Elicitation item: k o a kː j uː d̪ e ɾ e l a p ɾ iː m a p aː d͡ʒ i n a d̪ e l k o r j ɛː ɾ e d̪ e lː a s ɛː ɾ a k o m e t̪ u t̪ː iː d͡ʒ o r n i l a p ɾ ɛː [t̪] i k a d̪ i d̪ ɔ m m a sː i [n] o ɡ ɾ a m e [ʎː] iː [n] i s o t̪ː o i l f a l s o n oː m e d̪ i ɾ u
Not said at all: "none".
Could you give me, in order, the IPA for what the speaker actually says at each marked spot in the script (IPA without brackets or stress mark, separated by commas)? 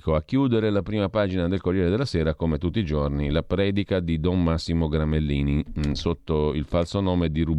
d̪, m, lː, n